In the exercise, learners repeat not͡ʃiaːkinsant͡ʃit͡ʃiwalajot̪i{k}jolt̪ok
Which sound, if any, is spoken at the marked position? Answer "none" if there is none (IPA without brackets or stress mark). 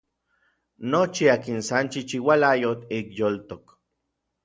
k